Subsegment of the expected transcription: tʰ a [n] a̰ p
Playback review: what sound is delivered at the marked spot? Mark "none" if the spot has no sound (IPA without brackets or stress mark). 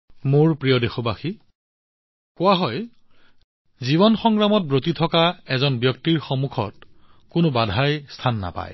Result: nː